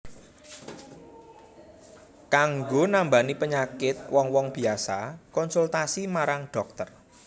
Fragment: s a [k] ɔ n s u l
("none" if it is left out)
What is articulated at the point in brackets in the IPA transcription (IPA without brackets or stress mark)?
k